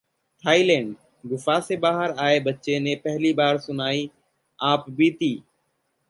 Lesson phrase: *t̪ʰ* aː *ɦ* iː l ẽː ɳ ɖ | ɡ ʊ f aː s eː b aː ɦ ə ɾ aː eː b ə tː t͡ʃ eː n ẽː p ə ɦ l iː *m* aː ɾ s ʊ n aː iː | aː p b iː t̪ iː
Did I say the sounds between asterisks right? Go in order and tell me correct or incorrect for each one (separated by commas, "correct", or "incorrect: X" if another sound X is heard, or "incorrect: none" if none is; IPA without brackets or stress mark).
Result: correct, incorrect: none, incorrect: b